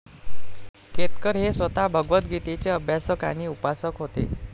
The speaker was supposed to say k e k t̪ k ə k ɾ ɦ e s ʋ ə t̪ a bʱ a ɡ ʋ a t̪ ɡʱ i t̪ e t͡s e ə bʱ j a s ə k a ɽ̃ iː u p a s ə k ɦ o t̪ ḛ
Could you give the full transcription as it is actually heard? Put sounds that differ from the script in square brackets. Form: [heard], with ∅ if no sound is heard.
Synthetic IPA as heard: k e [∅] t̪ k ə [∅] ɾ ɦ e s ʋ ə t̪ a bʱ [ə] ɡ ʋ [ə] t̪ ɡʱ i t̪ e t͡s e ə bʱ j a s ə k a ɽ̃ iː u p a s ə k ɦ o t̪ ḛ